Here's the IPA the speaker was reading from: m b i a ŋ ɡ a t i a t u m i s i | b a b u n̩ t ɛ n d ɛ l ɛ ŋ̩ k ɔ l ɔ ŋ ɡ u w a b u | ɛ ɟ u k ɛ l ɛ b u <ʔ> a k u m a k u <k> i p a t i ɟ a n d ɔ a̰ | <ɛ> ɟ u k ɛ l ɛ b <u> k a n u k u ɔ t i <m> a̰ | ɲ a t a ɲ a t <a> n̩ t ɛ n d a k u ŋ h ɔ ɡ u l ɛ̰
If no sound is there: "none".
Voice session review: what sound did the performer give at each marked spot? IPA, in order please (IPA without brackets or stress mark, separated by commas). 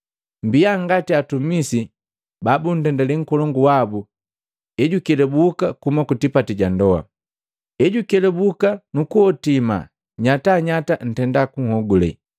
k, t, ɛ, u, m, a